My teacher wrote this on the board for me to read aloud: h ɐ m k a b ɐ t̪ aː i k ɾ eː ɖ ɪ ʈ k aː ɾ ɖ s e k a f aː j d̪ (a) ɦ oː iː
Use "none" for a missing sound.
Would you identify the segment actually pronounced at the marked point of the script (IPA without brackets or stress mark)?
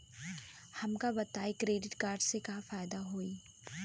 a